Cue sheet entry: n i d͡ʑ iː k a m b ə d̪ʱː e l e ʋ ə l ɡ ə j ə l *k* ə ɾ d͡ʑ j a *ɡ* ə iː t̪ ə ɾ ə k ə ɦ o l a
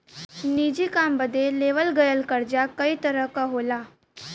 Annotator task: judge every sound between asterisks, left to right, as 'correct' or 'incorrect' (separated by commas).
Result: correct, incorrect